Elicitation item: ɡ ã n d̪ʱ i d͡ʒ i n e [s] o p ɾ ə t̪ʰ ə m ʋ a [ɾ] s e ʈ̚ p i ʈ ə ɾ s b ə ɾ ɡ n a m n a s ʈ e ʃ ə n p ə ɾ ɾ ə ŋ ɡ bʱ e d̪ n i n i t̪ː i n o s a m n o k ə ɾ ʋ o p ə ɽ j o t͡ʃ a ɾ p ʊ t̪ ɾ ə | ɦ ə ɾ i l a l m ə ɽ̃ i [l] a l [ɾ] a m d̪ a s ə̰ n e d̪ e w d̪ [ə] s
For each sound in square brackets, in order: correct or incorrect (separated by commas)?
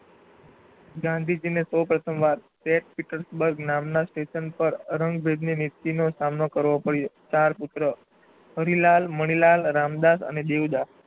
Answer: correct, correct, correct, correct, incorrect